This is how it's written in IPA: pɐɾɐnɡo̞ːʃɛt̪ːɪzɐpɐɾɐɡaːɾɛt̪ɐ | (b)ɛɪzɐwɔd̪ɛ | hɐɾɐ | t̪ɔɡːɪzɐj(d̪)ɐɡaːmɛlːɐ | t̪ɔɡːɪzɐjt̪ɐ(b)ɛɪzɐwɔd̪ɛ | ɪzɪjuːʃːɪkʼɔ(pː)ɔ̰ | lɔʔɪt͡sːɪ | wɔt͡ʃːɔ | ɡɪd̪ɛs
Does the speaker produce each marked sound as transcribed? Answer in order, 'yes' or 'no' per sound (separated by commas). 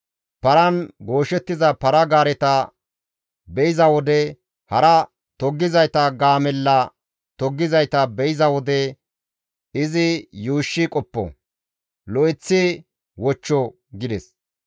yes, no, yes, yes